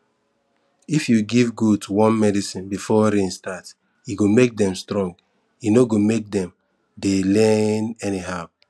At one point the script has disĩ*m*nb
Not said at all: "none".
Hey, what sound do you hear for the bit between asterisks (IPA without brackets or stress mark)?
none